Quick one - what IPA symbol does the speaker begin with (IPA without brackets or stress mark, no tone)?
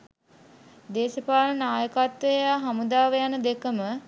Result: d̪